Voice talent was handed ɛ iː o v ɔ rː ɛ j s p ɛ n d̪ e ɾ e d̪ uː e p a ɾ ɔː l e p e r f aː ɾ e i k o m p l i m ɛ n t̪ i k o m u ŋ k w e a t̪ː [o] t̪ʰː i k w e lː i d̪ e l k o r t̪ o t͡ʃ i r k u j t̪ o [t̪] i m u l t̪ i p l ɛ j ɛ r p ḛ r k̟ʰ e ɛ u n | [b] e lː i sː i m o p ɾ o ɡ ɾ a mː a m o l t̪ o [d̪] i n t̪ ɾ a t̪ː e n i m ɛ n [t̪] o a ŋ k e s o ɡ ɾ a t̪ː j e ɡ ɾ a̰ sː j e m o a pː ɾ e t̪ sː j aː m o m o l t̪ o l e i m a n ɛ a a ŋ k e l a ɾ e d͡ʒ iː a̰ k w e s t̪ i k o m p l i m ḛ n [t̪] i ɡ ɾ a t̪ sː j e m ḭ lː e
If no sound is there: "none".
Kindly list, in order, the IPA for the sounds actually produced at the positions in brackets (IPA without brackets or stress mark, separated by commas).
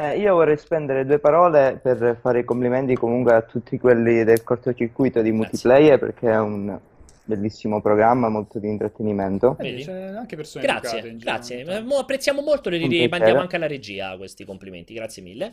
u, d̪, b, d̪, t̪, t̪